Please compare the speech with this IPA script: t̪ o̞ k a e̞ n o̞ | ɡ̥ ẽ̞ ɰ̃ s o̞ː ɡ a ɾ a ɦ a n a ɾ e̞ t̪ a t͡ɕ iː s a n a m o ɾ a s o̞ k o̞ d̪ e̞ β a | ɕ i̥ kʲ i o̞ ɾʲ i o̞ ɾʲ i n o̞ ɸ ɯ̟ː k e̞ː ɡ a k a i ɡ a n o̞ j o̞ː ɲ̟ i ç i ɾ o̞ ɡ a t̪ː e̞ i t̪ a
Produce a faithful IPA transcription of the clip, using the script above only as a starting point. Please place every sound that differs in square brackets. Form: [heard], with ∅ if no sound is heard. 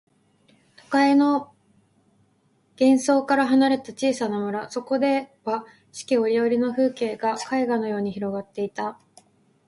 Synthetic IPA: t̪ o̞ k a e̞ n o̞ | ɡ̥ ẽ̞ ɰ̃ s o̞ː [k] a ɾ a ɦ a n a ɾ e̞ t̪ a t͡ɕ iː s a n a m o ɾ a s o̞ k o̞ d̪ e̞ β a | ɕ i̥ kʲ i o̞ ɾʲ i o̞ ɾʲ i n o̞ ɸ ɯ̟ː k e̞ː ɡ a k a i ɡ a n o̞ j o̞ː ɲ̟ i ç i ɾ o̞ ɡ a t̪ː e̞ i t̪ a